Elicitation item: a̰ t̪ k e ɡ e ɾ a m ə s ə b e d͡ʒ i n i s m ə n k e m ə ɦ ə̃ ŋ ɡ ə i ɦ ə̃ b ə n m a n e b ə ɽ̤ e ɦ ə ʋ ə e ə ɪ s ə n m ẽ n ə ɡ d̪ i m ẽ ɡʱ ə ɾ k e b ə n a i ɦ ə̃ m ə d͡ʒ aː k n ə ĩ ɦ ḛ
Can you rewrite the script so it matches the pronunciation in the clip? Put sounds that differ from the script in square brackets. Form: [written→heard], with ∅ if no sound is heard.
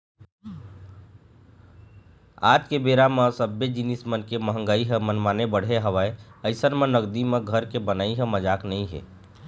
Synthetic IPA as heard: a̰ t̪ k e [ɡ→b] e ɾ a m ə s ə b e d͡ʒ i n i s m ə n k e m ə ɦ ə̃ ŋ ɡ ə i ɦ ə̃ [b→m] ə n m a n e b ə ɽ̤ e ɦ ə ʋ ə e ə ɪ s ə n m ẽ n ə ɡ d̪ i m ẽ ɡʱ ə ɾ k e b ə n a i ɦ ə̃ m ə d͡ʒ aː k n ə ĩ ɦ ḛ